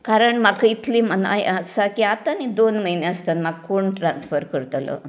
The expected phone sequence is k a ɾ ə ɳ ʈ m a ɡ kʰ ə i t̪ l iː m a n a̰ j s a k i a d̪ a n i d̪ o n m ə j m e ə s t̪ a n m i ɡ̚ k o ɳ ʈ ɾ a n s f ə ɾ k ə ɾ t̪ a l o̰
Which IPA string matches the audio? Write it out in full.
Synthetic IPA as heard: k a ɾ ə ɳ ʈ m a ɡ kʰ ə i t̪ l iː m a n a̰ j s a k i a t̪ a n i d̪ o n m ə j n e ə s t̪ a n m a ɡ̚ k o ɳ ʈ ɾ a n s f ə ɾ k ə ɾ t̪ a l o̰